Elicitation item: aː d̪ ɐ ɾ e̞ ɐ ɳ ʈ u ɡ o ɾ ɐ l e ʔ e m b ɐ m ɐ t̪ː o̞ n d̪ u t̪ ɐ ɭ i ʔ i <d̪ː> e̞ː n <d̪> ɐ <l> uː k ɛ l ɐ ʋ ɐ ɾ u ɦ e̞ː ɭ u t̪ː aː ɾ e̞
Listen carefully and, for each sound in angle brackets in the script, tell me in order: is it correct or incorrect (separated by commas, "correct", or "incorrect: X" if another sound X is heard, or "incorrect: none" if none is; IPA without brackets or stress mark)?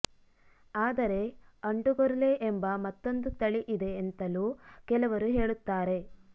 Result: incorrect: d̪, incorrect: t̪, correct